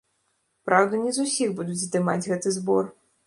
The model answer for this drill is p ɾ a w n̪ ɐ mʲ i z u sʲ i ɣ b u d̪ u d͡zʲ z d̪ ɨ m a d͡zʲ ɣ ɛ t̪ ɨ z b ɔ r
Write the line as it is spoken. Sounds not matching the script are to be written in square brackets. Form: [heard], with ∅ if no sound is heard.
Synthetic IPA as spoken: p ɾ a w [d̪] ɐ [nʲ] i z u sʲ i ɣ b u d̪ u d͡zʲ z d̪ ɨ m a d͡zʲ ɣ ɛ t̪ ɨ z b ɔ r